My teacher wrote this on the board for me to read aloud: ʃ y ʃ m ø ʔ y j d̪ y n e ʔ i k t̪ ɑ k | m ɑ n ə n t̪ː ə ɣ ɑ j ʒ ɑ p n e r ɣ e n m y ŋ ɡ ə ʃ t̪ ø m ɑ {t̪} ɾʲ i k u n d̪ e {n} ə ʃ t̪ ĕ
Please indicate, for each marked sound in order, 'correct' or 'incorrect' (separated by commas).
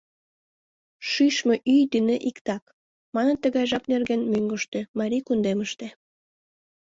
incorrect, incorrect